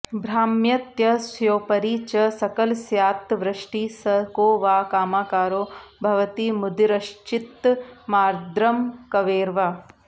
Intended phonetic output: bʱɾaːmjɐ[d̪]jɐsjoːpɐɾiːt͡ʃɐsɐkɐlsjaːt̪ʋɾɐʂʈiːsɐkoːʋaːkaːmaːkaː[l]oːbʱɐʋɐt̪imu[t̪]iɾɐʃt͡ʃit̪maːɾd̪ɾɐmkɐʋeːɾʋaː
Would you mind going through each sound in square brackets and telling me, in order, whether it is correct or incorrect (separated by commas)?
incorrect, incorrect, incorrect